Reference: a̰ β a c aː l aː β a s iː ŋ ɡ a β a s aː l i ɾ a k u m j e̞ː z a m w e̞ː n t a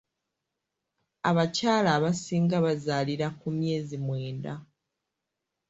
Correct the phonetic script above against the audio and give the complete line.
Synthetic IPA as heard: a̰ β a c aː l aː β a s iː ŋ ɡ a β a z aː l i ɾ a k u m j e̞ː z i m w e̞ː n d a

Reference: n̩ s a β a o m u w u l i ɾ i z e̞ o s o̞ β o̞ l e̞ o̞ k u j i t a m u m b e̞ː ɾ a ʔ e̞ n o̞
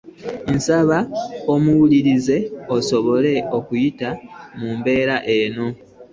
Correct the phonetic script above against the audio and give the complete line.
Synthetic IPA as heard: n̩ s a β a o m u w u l i ɾ i z e̞ o s o̞ β o̞ l e̞ o̞ k u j i t a m u m b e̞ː ɾ a ʔ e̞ n o̞

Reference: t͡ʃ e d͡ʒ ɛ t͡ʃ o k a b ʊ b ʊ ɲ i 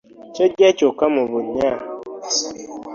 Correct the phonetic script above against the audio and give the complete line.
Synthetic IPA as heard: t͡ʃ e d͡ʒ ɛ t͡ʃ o k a m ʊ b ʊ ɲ a

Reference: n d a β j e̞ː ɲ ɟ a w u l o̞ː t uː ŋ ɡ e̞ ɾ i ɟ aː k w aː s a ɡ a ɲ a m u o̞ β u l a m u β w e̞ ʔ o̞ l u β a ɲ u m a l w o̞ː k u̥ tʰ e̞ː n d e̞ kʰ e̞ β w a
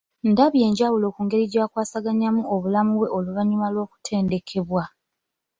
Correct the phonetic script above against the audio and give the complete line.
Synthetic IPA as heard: n d a β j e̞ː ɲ ɟ a w u l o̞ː k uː ŋ ɡ e̞ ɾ i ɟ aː k w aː s a ɡ a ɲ a m u o̞ β u l a m u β w e̞ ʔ o̞ l u β a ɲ u m a l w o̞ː k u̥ tʰ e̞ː n d e̞ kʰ e̞ β w a

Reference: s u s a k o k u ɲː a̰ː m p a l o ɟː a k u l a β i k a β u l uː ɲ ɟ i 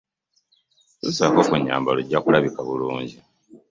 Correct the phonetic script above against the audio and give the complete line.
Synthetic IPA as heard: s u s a k o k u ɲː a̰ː m b a l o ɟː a k u l a β i k a β u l uː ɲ ɟ i

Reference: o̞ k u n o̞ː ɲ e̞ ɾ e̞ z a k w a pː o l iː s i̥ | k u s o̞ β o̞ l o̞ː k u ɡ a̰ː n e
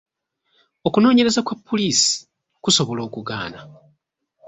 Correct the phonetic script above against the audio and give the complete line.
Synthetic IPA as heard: o̞ k u n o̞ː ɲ e̞ ɾ e̞ z a k w a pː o l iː s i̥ | k u s o̞ β o̞ l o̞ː k u ɡ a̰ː n a

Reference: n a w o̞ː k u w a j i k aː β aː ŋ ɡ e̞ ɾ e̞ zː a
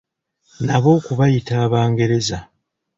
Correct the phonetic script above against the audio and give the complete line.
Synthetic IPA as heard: n a β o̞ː k u β a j i t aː β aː ŋ ɡ e̞ ɾ e̞ z a

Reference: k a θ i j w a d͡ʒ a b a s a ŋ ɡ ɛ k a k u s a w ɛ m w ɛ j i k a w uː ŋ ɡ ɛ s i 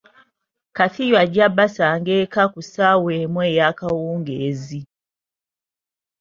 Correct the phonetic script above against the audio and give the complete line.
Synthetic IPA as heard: k a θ i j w a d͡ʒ a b a s a ŋ ɡ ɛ k a k u s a w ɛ m w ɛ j a k a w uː ŋ ɡ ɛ z i

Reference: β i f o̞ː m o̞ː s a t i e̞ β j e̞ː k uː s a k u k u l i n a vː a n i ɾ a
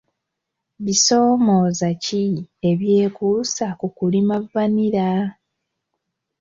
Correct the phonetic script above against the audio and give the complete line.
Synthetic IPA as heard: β i s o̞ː m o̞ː z a c i e̞ β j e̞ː k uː s a k u k u l i m a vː a n i ɾ a

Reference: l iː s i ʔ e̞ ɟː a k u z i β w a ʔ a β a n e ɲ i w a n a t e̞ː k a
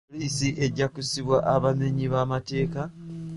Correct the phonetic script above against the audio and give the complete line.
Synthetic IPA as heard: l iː s i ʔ e̞ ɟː a k u s i β w a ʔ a β a n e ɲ i β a m a t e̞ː k a

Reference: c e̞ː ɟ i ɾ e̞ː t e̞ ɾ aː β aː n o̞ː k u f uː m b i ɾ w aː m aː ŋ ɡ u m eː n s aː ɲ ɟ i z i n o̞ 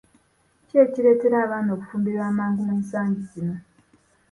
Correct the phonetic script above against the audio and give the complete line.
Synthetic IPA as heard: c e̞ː c i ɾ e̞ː t e̞ ɾ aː β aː n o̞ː k u f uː m b i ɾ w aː m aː ŋ ɡ u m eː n s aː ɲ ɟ i z i n o̞

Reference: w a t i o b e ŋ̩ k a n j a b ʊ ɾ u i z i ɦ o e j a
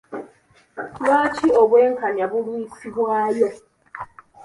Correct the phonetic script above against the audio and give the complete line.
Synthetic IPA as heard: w a t͡ʃ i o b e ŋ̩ k a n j a b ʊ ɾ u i s i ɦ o a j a

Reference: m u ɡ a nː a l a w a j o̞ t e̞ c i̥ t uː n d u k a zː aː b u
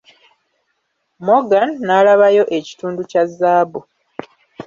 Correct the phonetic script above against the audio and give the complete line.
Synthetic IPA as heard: m o ɡ a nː a l a β a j o̞ ʔ e̞ c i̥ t uː n d u c a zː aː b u

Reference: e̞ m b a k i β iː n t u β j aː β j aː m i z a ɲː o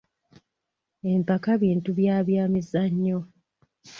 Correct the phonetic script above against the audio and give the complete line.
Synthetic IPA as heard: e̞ m p a k a β iː n t u β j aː β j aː m i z a ɲː o

